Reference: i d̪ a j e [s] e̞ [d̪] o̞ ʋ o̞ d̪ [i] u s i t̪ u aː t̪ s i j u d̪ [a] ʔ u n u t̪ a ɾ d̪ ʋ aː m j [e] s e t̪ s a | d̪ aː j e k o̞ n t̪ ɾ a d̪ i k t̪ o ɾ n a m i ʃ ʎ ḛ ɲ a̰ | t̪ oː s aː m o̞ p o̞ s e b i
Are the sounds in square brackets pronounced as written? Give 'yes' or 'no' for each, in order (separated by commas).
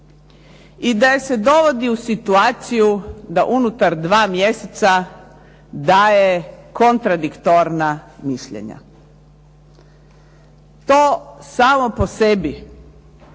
yes, yes, yes, yes, yes